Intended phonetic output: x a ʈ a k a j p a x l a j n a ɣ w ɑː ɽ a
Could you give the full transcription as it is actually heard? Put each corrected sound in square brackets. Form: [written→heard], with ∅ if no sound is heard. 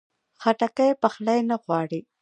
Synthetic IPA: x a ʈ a k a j p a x l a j n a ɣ w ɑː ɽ [a→i]